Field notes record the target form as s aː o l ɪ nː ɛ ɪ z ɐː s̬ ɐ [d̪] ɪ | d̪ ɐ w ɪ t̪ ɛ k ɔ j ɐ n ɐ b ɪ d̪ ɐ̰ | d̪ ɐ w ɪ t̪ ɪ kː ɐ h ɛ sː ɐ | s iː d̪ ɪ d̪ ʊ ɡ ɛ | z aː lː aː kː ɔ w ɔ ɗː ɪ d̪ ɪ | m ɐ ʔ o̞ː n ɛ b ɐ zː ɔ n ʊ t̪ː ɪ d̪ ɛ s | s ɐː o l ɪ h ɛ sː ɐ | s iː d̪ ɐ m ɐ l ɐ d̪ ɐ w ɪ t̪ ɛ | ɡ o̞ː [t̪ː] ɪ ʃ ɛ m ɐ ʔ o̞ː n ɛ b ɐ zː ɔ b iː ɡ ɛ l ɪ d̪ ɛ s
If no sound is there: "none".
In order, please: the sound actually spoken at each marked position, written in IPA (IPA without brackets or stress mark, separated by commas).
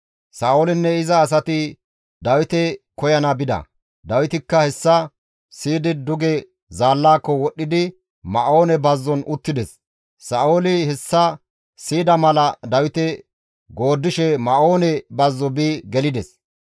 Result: t̪, d̪ː